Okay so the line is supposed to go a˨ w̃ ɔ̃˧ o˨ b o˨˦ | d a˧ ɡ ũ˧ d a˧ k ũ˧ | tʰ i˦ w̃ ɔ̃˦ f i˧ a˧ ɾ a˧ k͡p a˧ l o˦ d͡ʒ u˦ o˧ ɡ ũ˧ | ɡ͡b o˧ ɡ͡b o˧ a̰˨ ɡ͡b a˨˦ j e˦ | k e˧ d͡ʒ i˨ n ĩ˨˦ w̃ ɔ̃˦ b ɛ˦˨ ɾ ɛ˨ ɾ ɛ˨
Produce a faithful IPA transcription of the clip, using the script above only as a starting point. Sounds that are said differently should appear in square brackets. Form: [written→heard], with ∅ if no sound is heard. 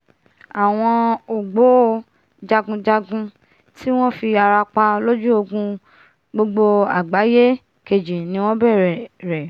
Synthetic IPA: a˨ w̃ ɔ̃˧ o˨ [b→ɡ͡b] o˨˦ | [d→d͡ʒ] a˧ ɡ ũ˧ [d→d͡ʒ] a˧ [k→ɡ] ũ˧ | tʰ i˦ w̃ ɔ̃˦ f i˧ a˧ ɾ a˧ k͡p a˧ l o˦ d͡ʒ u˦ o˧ ɡ ũ˧ | ɡ͡b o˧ ɡ͡b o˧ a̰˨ ɡ͡b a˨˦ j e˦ | k e˧ d͡ʒ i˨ n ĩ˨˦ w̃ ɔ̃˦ b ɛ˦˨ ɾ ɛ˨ ɾ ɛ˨